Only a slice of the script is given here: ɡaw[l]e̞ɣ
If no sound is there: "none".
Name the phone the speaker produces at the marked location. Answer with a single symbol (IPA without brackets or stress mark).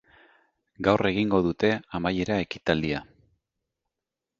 r